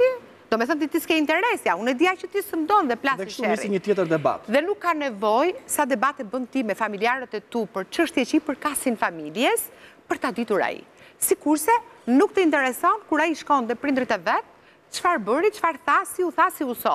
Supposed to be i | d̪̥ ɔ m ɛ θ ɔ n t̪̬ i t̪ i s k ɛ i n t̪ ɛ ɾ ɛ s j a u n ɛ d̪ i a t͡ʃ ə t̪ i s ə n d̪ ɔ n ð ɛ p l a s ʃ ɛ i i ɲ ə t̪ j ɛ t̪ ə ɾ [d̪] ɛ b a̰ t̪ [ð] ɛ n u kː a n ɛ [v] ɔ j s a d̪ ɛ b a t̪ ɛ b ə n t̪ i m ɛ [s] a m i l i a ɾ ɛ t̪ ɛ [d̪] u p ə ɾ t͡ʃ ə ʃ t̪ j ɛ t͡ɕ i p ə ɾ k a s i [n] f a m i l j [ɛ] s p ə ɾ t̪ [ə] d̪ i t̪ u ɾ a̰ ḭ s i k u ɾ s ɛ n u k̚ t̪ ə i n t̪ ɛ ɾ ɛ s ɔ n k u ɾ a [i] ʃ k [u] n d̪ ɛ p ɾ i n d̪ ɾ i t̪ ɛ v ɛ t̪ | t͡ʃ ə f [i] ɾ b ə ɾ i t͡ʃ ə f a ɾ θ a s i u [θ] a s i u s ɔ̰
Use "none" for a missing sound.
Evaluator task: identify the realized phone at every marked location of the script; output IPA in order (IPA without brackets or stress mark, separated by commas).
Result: d̪, ð, v, f, t̪, n, ɛ, a, i, ɔ, a, θ